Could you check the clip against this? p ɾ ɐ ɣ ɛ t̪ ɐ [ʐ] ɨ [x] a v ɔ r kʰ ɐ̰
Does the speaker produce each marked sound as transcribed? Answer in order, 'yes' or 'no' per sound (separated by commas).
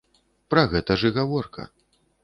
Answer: yes, no